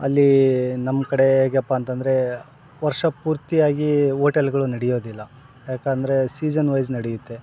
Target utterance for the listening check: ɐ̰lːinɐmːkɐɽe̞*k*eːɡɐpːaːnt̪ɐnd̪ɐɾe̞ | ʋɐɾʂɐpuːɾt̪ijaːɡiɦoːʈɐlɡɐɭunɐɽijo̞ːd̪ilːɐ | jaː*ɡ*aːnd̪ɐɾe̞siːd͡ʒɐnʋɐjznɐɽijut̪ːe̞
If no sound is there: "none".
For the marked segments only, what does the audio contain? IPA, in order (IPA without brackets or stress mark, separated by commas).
none, k